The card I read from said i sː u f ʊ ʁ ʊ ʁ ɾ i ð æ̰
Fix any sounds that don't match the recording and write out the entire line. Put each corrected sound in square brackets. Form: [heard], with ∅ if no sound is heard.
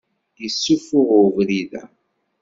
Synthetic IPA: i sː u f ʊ ʁ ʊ [v] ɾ i ð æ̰